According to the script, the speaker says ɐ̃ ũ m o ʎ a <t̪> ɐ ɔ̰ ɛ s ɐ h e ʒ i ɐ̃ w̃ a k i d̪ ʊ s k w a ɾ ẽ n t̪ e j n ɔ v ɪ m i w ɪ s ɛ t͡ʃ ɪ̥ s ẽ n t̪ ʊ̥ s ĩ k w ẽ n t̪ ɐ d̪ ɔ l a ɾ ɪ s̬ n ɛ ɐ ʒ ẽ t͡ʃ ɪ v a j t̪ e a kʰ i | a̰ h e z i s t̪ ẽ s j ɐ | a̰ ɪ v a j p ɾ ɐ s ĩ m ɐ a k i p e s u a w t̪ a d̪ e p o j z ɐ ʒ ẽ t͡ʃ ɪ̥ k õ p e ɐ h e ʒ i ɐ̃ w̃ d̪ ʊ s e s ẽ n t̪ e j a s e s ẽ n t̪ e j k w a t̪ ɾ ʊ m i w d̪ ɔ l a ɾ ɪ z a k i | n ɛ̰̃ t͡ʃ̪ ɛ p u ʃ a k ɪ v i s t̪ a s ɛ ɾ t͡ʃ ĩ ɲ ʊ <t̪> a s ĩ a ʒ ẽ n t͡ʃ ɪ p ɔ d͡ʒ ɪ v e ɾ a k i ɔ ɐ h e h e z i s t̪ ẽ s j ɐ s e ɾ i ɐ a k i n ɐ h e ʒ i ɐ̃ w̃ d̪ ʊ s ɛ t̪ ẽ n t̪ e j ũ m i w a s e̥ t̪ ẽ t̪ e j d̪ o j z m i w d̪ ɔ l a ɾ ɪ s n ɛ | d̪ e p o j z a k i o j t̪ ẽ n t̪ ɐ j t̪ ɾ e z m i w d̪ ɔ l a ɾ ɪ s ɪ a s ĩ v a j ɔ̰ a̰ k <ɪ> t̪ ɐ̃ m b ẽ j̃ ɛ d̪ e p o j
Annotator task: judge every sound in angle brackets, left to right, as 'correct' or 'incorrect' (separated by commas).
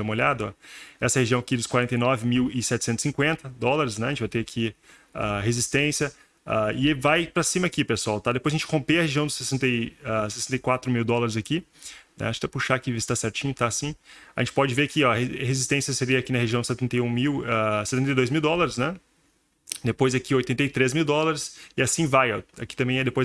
incorrect, correct, incorrect